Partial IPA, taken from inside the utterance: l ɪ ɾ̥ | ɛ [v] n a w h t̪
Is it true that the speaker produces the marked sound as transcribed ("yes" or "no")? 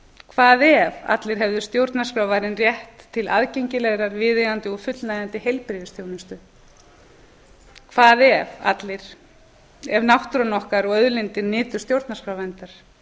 yes